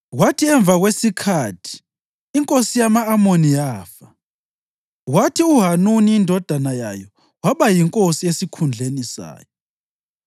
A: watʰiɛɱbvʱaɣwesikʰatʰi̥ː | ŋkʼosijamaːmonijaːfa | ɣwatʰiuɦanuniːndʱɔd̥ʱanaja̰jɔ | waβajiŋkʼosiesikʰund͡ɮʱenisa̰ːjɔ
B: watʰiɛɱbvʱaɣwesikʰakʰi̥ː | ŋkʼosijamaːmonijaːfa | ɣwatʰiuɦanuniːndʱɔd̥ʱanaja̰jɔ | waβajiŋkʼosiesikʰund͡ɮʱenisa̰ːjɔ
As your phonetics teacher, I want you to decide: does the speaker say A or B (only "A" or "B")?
A